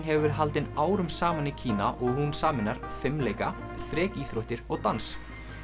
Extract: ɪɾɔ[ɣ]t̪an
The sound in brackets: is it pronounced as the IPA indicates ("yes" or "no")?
yes